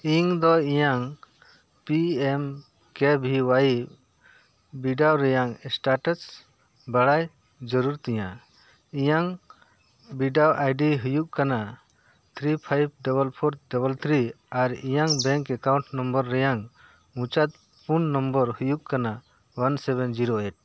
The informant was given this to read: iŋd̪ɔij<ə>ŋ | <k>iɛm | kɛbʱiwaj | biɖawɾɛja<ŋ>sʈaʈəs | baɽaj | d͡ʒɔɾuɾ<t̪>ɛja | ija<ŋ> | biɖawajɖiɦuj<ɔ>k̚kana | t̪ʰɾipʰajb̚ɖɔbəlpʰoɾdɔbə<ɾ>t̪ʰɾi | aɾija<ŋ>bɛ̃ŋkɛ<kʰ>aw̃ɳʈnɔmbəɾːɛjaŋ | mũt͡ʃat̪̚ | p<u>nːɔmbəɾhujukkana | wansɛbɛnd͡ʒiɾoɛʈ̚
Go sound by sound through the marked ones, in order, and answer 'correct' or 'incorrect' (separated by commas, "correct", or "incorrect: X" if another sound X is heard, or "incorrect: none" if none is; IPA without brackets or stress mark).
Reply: incorrect: a, incorrect: p, correct, correct, correct, incorrect: u, incorrect: l, correct, incorrect: k, correct